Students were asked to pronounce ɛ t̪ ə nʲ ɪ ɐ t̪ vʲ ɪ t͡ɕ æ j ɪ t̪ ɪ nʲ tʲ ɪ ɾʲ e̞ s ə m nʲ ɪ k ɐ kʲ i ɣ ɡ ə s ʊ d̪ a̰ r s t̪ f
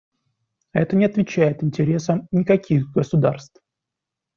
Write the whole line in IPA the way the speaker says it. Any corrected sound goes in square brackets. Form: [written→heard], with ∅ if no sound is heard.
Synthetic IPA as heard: ɛ t̪ ə nʲ ɪ ɐ t̪ vʲ ɪ t͡ɕ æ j ɪ t̪ ɪ nʲ tʲ ɪ ɾʲ e̞ s ə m nʲ ɪ k ɐ kʲ i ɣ ɡ ə s ʊ d̪ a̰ r s t̪ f